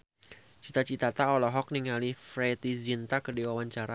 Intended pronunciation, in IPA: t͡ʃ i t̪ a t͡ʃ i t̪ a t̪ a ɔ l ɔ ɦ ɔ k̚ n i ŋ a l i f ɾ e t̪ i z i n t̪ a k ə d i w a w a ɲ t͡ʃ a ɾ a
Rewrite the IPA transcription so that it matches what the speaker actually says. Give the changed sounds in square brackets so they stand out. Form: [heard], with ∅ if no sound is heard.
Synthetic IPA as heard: t͡ʃ i t̪ a t͡ʃ i t̪ a t̪ a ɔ l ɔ ɦ ɔ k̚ n i ŋ a l i f ɾ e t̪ i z i n t̪ a k ə d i w a w a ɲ t͡ʃ a ɾ a